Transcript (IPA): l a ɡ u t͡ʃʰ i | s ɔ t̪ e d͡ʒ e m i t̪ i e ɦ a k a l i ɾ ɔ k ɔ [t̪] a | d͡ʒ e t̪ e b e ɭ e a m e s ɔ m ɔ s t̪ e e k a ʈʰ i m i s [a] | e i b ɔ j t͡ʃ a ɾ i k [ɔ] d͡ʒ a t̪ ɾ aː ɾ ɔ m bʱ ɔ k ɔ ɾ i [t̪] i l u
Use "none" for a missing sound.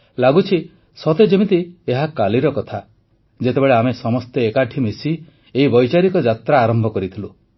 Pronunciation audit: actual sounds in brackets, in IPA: t̪ʰ, i, ɔ, t̪ʰ

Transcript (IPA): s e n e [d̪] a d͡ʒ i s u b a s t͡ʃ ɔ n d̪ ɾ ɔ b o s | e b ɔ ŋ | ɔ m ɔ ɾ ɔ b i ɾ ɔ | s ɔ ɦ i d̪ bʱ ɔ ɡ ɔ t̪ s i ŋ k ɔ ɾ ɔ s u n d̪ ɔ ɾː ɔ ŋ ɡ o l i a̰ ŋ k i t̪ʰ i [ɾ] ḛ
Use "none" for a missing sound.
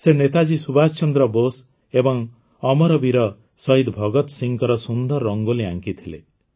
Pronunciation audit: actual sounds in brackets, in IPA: t̪, l

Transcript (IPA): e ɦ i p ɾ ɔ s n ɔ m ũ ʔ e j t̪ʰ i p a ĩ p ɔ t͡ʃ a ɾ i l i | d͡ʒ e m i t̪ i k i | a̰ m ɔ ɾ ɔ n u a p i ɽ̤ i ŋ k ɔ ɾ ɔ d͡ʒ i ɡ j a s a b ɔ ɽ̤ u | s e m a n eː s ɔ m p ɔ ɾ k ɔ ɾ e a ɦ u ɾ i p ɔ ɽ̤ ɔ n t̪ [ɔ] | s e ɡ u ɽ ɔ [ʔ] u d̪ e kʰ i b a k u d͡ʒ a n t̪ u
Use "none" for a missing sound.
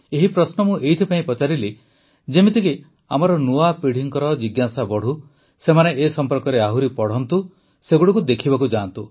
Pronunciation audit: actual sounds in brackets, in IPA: u, k

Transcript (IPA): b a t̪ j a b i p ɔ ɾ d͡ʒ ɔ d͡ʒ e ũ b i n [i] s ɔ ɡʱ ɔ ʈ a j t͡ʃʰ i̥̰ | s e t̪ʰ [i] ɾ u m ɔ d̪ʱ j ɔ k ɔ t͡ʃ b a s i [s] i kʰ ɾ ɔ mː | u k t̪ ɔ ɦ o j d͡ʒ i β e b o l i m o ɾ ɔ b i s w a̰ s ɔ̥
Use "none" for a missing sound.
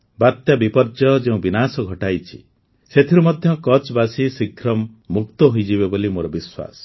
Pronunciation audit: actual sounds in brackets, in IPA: a, i, s

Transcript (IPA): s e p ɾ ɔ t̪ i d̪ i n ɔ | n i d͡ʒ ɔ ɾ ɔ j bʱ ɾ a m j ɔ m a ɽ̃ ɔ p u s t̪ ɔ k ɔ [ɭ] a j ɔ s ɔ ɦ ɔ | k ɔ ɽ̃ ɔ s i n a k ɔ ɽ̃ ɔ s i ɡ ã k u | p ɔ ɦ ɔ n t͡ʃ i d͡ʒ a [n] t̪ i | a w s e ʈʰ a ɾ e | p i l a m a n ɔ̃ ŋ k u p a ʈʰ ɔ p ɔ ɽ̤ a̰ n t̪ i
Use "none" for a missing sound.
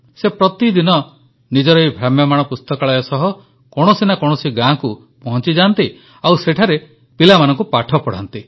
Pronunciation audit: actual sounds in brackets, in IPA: ɭ, n

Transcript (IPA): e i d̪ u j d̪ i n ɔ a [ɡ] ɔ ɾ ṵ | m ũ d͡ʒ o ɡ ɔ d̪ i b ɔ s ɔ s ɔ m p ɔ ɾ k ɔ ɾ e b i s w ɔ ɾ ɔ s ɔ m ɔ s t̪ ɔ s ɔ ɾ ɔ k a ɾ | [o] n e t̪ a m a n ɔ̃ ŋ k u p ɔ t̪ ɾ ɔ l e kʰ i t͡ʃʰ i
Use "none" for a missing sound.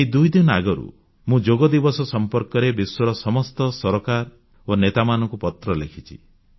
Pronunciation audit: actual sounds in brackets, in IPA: ɡ, o

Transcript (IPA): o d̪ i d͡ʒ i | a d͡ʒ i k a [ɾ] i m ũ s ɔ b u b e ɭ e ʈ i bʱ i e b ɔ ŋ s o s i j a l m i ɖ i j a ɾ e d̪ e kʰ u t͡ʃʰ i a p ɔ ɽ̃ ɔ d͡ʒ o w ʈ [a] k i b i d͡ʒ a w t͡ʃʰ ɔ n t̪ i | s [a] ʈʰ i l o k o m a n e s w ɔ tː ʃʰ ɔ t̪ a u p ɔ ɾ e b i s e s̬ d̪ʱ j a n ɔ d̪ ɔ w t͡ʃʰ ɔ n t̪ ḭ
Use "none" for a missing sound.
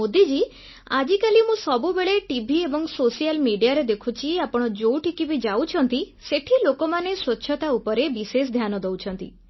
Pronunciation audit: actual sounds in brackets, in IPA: l, i, e

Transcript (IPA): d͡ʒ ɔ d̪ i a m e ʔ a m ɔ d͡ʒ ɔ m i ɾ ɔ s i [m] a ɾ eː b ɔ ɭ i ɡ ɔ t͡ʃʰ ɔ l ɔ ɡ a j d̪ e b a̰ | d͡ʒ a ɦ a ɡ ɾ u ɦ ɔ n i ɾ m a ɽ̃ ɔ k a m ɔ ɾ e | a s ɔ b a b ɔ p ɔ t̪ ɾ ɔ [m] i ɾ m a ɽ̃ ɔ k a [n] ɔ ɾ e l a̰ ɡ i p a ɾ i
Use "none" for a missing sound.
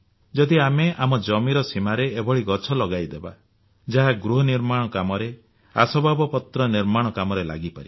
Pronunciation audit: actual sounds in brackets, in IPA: m, n, m

